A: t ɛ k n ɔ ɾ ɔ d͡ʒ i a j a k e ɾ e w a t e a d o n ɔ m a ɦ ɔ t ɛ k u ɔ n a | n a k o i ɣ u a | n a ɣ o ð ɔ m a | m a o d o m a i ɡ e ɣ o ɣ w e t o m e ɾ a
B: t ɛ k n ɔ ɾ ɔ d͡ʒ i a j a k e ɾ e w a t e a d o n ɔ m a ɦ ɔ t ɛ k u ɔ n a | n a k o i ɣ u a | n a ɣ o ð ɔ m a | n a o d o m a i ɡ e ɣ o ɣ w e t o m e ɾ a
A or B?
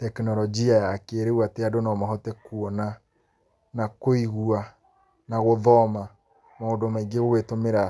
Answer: A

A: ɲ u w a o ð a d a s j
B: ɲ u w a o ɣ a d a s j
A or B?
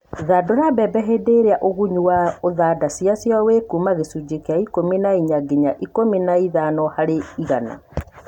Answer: A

